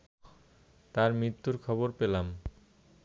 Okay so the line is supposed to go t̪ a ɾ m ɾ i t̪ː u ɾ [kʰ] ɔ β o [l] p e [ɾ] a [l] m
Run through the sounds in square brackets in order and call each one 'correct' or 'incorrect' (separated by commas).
correct, incorrect, incorrect, incorrect